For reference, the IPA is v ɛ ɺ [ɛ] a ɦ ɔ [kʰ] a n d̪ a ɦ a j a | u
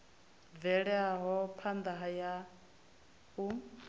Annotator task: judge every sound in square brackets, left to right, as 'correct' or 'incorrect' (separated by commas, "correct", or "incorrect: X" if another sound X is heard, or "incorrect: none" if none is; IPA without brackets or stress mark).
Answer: correct, incorrect: pʰ